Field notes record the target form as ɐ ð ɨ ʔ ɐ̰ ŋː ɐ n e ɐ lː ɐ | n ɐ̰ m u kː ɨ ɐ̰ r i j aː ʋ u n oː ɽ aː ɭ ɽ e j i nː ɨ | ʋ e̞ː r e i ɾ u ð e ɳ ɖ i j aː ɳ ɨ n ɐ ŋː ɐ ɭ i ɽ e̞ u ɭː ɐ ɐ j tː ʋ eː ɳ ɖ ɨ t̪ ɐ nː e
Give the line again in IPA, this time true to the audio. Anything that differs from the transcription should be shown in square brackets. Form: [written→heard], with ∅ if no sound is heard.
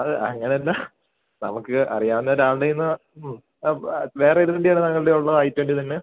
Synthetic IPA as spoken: ɐ ð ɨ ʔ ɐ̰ ŋː ɐ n e ɐ lː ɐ | n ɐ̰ m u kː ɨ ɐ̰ r i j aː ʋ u [n→nː] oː [ɽ→ɾ] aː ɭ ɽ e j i nː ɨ | ʋ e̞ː r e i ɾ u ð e ɳ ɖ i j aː ɳ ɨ n ɐ ŋː ɐ ɭ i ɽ e̞ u ɭː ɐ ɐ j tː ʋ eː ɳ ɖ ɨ t̪ ɐ nː e